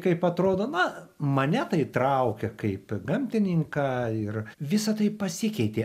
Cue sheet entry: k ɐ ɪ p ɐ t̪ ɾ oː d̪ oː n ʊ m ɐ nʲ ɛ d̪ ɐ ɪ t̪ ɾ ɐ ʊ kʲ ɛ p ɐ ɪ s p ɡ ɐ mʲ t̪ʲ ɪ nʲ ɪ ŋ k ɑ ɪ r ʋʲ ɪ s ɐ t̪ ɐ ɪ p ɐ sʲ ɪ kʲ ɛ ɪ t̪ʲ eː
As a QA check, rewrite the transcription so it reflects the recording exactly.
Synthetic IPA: k ɐ ɪ p ɐ t̪ ɾ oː d̪ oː n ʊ m ɐ nʲ ɛ t̪ ɐ ɪ t̪ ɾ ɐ ʊ kʲ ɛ k ɐ ɪ p ɡ ɐ mʲ t̪ʲ ɪ nʲ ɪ ŋ k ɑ ɪ r ʋʲ ɪ s ɐ t̪ ɐ ɪ p ɐ sʲ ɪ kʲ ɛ ɪ t̪ʲ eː